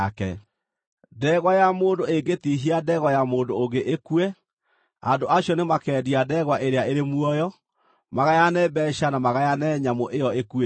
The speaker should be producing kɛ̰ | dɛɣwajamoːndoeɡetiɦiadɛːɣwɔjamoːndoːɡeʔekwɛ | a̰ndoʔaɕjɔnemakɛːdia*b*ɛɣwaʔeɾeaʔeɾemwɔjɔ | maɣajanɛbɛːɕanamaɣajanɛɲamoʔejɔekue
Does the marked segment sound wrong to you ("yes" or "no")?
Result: yes